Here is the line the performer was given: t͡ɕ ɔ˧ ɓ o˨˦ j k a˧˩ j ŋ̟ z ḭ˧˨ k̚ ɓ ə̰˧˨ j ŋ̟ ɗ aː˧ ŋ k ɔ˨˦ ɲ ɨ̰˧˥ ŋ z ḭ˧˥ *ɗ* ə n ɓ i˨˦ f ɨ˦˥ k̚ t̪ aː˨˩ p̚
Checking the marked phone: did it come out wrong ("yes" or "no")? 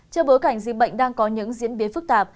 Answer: yes